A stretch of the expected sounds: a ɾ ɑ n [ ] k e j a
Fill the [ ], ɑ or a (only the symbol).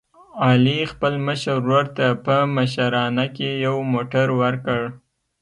a